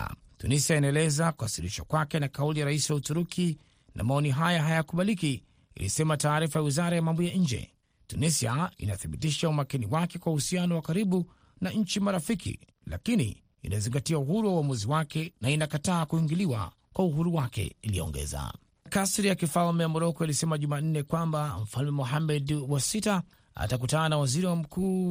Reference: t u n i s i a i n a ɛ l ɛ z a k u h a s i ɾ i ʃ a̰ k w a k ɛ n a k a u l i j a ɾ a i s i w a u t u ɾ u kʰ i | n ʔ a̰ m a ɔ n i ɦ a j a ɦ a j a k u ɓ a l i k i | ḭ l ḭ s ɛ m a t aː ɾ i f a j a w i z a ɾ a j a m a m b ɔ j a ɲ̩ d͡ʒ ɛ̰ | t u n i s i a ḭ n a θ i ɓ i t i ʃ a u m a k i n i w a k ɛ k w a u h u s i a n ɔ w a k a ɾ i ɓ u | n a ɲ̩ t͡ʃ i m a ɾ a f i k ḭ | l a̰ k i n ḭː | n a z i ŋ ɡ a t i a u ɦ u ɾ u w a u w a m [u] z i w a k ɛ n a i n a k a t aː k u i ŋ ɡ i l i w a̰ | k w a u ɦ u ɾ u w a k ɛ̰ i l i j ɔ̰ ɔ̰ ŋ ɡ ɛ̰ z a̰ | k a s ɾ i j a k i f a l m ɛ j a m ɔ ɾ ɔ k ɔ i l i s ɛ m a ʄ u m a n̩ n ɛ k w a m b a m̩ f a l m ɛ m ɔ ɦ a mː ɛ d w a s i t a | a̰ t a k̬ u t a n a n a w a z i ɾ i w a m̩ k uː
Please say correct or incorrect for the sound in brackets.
correct